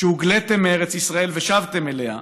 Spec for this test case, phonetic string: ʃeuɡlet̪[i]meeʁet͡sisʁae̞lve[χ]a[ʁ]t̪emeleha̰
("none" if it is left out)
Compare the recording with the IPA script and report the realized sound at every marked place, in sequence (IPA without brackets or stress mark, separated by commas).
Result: e, ʃ, v